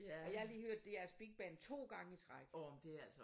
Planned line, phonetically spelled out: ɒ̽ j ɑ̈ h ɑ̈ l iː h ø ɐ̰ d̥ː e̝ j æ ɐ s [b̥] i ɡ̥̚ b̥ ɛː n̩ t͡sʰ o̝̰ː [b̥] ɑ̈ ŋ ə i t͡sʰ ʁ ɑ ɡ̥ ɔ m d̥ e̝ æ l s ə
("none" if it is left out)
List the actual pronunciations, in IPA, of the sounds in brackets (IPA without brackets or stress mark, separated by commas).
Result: b̥, ɡ̥